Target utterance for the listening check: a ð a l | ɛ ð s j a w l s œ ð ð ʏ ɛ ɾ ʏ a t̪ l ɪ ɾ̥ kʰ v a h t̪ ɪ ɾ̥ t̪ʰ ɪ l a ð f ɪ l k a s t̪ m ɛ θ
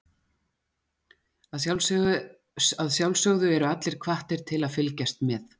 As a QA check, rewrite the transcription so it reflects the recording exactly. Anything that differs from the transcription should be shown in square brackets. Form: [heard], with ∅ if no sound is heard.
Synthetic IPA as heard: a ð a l | [a] ð s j a w l s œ [ɣ] ð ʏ ɛ ɾ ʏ a t̪ l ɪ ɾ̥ kʰ v a h t̪ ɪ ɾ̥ t̪ʰ ɪ l a ð f ɪ l [c] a s t̪ m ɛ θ